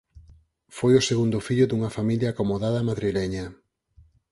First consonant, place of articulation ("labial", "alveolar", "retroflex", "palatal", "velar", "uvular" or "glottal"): labial